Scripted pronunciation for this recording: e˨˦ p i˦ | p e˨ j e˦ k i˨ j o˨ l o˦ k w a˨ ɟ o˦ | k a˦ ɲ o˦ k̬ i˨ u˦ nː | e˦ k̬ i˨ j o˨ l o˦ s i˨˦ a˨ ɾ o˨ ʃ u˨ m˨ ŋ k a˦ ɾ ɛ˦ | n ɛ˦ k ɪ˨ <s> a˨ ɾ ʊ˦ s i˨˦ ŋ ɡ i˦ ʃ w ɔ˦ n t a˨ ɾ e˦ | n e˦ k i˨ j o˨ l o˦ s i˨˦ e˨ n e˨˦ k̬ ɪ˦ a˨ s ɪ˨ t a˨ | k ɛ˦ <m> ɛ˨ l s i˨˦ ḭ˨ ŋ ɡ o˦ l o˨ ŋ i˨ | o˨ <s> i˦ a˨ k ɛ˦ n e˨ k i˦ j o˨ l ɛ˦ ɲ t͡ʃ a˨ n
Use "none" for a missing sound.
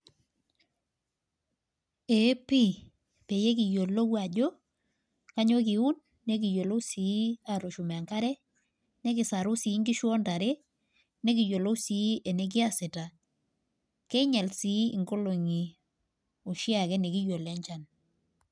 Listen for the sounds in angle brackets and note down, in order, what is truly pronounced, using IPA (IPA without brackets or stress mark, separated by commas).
s, ɲ, ʃ